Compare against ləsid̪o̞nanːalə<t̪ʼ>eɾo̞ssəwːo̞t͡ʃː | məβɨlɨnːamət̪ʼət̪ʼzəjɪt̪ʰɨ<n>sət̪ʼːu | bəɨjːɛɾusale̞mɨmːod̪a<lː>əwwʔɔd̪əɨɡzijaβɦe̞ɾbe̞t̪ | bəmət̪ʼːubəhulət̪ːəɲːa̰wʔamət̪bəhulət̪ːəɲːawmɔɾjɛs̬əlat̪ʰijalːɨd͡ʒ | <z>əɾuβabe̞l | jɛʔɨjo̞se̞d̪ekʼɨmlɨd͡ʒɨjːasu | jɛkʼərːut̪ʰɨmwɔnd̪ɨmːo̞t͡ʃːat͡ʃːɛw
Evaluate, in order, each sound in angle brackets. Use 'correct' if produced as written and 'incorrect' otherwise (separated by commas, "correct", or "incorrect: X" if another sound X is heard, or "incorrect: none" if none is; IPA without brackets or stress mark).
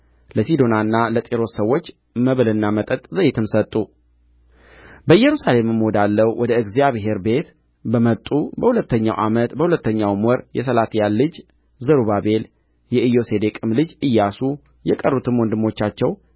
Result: correct, incorrect: m, correct, correct